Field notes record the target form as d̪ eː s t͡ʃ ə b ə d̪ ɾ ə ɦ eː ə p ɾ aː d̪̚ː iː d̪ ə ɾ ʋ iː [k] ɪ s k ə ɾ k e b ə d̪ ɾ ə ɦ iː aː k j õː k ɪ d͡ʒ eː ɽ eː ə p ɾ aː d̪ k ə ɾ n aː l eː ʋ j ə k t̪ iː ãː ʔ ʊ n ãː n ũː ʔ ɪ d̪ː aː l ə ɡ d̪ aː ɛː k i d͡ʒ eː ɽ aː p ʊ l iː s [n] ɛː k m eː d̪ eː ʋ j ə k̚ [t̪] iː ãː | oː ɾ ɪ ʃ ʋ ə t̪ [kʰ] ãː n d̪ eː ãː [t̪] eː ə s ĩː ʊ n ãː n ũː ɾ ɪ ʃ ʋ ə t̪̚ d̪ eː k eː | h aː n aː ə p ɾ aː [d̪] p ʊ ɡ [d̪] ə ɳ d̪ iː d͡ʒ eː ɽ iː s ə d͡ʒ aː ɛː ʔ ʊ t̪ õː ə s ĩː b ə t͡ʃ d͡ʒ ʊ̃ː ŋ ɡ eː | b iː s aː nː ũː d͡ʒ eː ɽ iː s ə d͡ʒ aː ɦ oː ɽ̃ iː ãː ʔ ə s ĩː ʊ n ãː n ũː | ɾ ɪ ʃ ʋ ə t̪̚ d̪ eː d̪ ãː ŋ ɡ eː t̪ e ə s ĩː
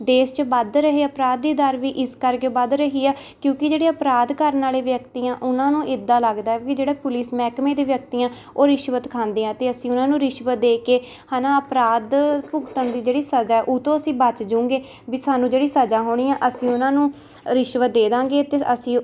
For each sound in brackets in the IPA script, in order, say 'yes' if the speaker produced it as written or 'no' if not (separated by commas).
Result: no, no, yes, yes, yes, yes, no